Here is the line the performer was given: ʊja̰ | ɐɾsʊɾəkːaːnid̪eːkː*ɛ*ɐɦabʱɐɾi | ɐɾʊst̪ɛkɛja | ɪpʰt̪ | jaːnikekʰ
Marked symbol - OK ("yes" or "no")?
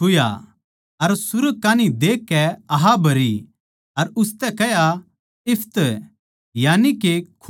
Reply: yes